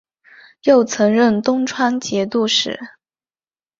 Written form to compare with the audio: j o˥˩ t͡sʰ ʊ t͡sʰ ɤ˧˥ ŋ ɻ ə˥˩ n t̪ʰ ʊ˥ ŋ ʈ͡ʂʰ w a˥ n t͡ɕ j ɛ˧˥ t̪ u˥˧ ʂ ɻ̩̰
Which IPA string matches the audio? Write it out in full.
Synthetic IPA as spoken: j o˥˩ ʊ t͡sʰ ɤ˧˥ ŋ ɻ ə˥˩ n t̪ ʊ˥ ŋ ʈ͡ʂʰ w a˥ n t͡ɕ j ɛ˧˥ t̪ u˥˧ ʂ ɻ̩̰